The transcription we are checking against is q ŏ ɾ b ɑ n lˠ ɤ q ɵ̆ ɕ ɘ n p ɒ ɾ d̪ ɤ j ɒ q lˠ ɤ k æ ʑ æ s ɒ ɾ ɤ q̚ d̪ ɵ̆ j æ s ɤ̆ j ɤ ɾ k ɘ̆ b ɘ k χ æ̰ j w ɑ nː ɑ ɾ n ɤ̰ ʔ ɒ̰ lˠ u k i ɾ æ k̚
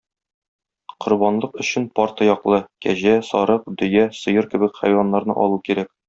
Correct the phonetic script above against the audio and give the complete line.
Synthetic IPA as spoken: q ŏ ɾ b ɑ n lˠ ɤ q ɵ̆ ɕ ɘ n p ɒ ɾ t̪ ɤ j ɒ q lˠ ɤ k æ ʑ æ s ɒ ɾ ɤ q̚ d̪ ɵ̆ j æ s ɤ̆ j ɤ ɾ k ɘ̆ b ɘ k χ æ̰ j w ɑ nː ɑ ɾ n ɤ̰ ʔ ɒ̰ lˠ u k i ɾ æ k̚